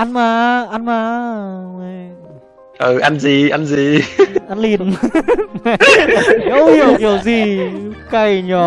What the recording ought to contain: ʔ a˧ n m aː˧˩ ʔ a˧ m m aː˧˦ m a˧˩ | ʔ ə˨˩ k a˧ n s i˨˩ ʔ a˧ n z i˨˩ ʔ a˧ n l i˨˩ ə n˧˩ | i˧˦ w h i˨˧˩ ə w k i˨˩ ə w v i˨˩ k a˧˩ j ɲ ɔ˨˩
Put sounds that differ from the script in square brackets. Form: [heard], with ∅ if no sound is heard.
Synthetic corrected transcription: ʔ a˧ n m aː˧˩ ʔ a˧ [n] m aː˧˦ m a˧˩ | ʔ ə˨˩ [ʔ] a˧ n [z] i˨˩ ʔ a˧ n z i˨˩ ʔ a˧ n l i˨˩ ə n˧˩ | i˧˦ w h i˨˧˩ ə w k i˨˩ ə w [z] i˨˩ k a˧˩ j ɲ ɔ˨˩